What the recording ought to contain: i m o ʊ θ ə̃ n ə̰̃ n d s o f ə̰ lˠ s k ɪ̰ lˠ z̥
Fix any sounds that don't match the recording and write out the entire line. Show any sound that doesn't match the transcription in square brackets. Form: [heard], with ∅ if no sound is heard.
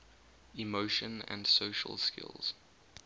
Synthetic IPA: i m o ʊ [ʃ] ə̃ n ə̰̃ n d s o [ʃ] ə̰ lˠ s k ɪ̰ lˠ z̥